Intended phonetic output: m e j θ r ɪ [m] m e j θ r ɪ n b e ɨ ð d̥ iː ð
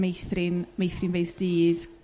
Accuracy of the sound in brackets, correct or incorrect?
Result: incorrect